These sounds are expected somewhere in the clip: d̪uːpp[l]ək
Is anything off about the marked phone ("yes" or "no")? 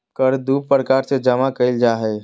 yes